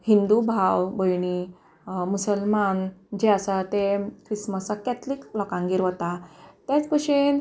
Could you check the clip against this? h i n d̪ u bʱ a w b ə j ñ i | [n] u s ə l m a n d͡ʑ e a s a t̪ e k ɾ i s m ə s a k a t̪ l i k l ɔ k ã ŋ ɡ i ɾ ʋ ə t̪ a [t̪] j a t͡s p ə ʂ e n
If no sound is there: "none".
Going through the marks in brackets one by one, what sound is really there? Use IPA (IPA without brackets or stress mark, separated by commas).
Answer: m, t̪